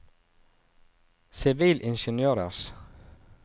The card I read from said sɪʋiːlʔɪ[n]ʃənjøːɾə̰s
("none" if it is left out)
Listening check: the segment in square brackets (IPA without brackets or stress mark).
n